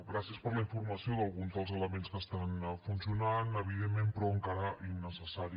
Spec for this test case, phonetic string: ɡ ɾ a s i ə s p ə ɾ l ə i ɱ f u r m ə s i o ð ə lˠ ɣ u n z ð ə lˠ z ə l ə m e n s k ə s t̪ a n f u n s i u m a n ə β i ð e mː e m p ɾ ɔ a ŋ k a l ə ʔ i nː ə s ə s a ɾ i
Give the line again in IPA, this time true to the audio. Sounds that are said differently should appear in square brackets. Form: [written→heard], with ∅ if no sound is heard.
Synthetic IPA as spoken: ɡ ɾ a s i ə s p ə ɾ l ə i ɱ f u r m ə s i o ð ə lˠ ɣ u n z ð ə lˠ z ə l ə m e n s k ə s t̪ a n f u n s i u [m→n] a n ə β i ð e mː e m p ɾ ɔ [a→ə] ŋ k a [l→ɾ] ə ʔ i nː ə s ə s a ɾ i